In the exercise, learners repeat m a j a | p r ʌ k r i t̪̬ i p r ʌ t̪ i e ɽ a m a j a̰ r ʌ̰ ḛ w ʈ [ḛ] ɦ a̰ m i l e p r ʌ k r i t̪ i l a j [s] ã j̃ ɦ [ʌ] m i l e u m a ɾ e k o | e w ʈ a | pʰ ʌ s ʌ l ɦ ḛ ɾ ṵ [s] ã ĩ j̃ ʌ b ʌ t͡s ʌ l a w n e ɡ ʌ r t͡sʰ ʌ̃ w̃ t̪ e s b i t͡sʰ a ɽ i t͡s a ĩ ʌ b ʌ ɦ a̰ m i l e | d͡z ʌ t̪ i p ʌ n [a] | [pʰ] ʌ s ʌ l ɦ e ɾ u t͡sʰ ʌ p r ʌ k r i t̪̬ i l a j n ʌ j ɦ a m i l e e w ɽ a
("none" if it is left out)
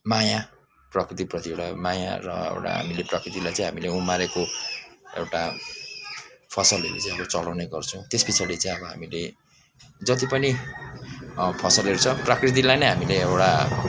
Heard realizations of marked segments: a̰, t͡s, a, t͡s, i, pʰ

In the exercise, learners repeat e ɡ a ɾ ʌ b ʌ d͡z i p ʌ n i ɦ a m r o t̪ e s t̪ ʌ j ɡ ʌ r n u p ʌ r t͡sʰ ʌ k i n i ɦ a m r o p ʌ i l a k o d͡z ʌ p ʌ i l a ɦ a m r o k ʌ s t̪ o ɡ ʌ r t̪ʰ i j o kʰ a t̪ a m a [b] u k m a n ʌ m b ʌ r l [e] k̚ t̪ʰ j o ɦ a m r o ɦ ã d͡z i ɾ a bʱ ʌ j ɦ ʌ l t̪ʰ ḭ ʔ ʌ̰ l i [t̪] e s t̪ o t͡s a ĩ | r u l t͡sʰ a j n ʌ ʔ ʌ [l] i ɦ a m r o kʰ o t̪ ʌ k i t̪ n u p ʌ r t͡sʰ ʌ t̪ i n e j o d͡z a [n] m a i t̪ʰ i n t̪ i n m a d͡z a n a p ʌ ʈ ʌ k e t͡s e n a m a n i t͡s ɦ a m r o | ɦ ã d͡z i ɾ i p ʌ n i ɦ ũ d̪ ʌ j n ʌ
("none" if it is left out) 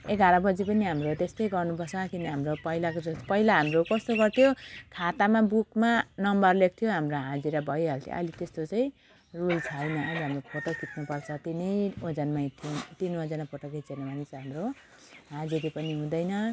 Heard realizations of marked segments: b, e, t̪, l, n

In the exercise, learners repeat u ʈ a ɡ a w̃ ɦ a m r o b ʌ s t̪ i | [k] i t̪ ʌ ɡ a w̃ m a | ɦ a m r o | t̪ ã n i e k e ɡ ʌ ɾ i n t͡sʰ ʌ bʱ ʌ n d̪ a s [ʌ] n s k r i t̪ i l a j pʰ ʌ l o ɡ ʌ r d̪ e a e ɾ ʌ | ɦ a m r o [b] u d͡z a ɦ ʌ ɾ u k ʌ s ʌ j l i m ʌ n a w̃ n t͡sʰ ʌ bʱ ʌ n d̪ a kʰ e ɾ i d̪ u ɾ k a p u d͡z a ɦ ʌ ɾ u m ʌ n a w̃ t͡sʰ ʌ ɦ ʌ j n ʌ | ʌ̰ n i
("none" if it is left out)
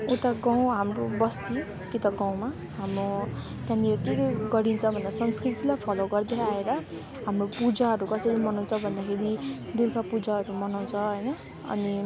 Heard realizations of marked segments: k, ʌ, p

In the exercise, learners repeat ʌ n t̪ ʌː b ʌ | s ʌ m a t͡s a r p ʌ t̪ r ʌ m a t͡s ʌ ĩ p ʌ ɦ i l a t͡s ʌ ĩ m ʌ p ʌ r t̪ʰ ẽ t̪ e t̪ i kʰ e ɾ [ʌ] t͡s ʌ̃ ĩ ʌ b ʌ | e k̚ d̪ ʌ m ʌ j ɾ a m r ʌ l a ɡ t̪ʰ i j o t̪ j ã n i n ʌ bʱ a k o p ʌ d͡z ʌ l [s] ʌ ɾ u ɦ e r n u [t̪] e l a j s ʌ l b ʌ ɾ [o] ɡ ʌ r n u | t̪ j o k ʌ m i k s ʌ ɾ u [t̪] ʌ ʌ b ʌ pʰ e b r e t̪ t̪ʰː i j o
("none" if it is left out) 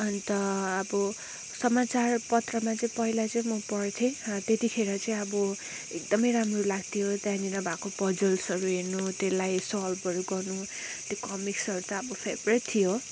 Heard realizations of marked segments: ʌ, s, t̪, u, t̪

